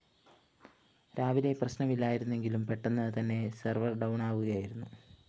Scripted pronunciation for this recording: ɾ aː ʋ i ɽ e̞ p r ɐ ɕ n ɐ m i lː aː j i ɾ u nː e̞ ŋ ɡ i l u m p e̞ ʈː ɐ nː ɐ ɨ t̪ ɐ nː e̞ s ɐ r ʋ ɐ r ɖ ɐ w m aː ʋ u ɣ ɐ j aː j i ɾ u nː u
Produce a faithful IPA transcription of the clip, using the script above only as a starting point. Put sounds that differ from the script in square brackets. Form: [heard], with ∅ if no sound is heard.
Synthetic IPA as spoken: ɾ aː ʋ i [l] e̞ p r ɐ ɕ n ɐ m i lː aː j i ɾ u nː e̞ ŋ ɡ i l u m p e̞ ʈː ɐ nː ɐ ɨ t̪ ɐ nː e̞ s ɐ r ʋ ɐ r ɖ ɐ w [ɳ] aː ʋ u ɣ ɐ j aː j i ɾ u nː u

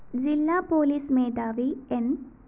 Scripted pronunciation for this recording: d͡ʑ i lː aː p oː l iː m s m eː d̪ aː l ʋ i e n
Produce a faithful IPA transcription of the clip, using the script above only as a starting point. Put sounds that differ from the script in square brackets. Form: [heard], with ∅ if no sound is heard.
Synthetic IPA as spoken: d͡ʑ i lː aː p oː l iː [∅] s m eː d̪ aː [∅] ʋ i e n

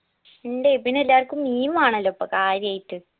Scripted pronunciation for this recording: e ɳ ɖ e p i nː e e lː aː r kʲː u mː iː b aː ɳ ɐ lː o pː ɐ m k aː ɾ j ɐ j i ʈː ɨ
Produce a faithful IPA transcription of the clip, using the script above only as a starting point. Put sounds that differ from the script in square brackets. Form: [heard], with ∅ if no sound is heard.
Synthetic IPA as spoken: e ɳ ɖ e p i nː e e lː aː r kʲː u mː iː [m] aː ɳ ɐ lː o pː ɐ [∅] k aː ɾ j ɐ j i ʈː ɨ

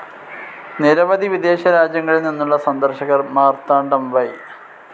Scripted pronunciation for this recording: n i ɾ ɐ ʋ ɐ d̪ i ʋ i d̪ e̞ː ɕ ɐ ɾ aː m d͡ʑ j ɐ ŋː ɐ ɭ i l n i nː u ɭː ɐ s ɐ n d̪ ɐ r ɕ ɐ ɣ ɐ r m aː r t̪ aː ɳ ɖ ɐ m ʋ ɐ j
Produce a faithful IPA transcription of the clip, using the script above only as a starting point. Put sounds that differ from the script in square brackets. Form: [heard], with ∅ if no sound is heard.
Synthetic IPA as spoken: n i ɾ ɐ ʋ ɐ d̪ i ʋ i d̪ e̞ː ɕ ɐ ɾ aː [∅] d͡ʑ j ɐ ŋː ɐ ɭ i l n i nː u ɭː ɐ s ɐ n d̪ ɐ r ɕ ɐ ɣ ɐ r m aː r t̪ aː ɳ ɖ ɐ m ʋ ɐ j

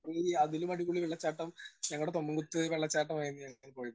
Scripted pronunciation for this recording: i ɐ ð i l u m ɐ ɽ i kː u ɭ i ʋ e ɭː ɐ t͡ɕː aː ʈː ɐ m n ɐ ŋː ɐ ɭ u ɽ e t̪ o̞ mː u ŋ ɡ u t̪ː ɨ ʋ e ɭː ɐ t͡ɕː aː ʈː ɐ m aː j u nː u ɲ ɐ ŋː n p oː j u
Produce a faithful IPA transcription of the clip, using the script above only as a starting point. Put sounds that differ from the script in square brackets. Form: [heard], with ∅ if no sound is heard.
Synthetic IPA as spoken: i ɐ ð i l u m ɐ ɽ i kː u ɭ i ʋ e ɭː ɐ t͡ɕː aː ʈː ɐ m [ɲ] ɐ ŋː ɐ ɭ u ɽ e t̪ o̞ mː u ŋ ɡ u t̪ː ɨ ʋ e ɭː ɐ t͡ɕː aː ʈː ɐ m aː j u nː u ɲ ɐ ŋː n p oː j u

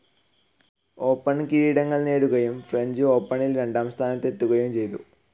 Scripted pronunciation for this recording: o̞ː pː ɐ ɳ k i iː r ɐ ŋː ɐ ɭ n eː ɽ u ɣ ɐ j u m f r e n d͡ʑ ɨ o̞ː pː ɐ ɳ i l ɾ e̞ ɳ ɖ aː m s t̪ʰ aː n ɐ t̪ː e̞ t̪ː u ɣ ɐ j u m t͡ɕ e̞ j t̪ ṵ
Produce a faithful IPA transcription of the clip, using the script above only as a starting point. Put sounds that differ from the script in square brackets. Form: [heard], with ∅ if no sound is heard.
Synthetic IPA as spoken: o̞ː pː ɐ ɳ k i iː [ɽ] ɐ ŋː ɐ ɭ n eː ɽ u ɣ ɐ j u m f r e [ɲ] d͡ʑ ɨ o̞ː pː ɐ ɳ i l ɾ e̞ ɳ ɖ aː m s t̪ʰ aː n ɐ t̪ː e̞ t̪ː u ɣ ɐ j u m t͡ɕ e̞ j t̪ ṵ

